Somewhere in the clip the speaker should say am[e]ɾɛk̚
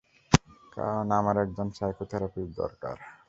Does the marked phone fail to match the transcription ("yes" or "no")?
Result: yes